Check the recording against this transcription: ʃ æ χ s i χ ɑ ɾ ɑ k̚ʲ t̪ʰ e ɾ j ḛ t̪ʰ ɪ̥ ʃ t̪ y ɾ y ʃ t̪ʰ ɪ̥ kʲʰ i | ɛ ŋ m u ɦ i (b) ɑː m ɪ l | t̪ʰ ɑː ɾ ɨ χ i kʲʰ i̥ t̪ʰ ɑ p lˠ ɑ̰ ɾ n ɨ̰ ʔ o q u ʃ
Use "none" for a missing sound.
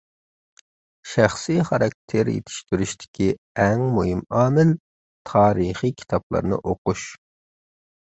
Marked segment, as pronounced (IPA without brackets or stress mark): m